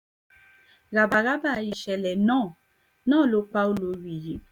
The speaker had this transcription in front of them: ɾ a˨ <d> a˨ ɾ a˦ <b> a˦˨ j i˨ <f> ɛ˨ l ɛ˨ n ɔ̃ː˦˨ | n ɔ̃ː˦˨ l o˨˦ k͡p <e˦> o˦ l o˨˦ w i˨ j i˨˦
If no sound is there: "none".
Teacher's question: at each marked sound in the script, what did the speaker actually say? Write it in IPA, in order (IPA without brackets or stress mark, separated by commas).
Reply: b, b, ʃ, a˦